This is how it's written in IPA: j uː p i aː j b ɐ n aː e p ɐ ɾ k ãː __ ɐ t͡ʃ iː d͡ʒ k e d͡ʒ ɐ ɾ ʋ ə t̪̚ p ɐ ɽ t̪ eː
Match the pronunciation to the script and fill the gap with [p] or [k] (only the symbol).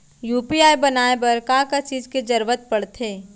k